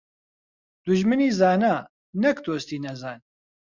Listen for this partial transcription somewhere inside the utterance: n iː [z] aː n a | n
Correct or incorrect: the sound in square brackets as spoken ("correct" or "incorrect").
correct